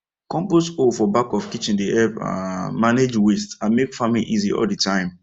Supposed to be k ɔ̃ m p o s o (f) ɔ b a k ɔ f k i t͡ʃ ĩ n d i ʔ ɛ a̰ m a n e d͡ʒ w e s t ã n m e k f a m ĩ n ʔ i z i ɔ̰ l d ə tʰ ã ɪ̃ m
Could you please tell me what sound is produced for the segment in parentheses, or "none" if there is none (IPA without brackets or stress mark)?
f